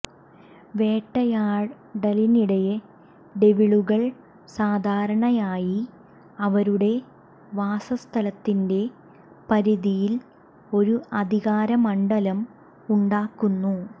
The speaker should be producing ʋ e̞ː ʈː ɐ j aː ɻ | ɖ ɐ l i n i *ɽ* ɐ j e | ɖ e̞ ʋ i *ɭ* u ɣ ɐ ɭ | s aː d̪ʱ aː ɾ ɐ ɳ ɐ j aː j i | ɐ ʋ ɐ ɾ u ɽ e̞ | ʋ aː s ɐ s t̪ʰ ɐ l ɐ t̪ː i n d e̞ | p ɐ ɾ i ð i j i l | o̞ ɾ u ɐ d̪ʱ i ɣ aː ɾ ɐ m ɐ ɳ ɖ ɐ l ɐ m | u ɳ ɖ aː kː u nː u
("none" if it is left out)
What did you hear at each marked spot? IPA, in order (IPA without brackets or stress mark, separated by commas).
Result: ɽ, ɭ